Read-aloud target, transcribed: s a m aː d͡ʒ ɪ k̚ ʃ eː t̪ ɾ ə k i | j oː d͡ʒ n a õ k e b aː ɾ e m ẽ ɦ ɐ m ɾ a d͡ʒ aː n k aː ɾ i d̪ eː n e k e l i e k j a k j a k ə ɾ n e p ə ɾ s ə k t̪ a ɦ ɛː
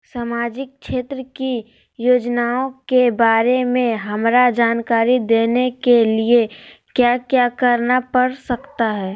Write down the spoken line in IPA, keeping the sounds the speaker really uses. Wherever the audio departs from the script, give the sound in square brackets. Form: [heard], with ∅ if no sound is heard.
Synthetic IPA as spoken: s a m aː d͡ʒ ɪ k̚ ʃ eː t̪ ɾ ə k i | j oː d͡ʒ n a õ k e b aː ɾ e m ẽ ɦ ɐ m ɾ a d͡ʒ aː n k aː ɾ i d̪ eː n e k e l i e k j a k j a k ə ɾ n [a] p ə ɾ s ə k t̪ a ɦ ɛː